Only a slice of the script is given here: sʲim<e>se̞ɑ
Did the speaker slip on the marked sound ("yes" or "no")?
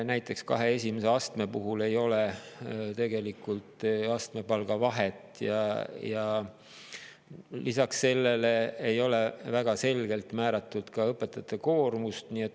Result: no